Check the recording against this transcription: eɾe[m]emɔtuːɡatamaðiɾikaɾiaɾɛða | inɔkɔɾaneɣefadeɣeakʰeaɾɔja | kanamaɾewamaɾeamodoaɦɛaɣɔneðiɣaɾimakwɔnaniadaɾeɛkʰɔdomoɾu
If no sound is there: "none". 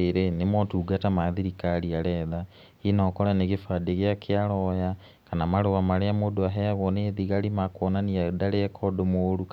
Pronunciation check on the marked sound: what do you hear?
n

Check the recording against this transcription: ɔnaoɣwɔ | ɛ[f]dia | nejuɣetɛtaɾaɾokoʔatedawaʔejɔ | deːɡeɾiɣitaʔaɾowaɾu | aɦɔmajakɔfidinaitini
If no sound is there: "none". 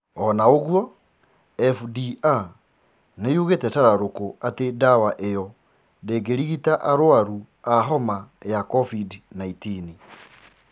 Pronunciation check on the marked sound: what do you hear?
f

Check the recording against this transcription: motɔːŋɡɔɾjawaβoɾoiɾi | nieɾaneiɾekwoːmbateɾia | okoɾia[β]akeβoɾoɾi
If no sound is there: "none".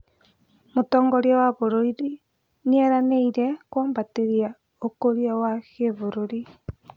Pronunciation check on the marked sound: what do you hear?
w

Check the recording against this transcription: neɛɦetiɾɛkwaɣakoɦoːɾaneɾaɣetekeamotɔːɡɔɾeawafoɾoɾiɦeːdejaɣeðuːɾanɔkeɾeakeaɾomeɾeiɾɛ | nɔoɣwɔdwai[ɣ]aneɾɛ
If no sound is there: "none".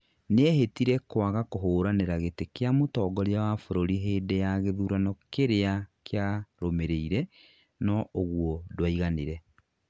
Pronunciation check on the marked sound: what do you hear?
ɣ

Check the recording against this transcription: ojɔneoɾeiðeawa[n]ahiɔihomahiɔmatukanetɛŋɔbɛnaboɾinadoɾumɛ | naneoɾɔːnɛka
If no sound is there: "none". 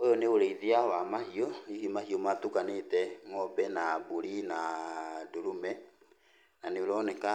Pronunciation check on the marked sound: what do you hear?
m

